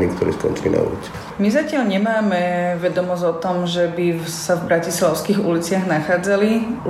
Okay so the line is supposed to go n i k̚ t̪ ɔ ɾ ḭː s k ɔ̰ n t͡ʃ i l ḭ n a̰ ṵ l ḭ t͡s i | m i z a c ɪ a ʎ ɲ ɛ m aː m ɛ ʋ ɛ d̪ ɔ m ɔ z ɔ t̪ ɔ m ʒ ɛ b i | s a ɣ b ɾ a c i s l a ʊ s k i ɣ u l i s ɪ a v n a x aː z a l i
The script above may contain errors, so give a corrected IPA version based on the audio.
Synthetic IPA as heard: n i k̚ t̪ ɔ ɾ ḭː s k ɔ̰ n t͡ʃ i l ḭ n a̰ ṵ l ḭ t͡s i | m i z a c ɪ a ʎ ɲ ɛ m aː m ɛ ʋ ɛ d̪ ɔ m ɔ z ɔ t̪ ɔ m ʒ ɛ b i | s a v b ɾ a c i s l a ʊ s k i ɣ u l i t͡s ɪ a ɣ n a x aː d͡z a l i